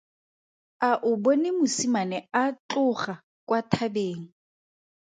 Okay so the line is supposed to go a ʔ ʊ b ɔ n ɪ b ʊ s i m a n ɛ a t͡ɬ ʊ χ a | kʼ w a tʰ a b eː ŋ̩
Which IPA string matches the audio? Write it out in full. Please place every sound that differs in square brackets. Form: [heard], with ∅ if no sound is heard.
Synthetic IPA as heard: a ʔ ʊ b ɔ n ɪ [m] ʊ s i m a n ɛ a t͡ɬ ʊ χ a | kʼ w a tʰ a b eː ŋ̩